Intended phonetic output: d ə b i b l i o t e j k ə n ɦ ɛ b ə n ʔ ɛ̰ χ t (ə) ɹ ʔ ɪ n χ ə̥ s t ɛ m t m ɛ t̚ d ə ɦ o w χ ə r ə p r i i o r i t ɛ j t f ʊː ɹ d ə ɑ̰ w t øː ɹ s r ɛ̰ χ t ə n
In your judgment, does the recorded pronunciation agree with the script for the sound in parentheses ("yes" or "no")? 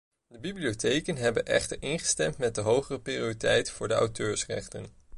yes